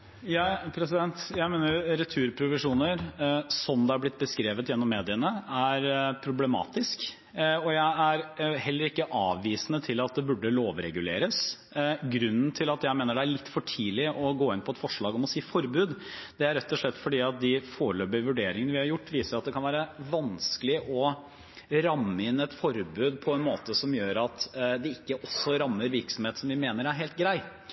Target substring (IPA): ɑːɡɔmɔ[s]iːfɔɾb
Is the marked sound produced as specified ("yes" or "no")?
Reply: yes